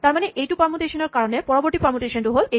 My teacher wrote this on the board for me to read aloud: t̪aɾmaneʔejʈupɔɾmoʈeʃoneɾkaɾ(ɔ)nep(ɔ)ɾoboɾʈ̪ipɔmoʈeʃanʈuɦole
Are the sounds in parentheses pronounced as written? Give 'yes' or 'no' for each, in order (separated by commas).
no, yes